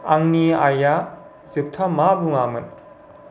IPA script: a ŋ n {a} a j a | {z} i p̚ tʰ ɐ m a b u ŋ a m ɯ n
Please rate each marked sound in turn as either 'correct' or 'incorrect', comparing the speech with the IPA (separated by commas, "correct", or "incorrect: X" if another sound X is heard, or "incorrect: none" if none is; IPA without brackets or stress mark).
incorrect: i, correct